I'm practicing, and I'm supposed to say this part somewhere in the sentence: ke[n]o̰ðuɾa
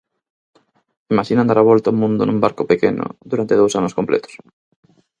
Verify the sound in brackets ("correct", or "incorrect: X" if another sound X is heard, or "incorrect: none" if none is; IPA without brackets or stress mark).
correct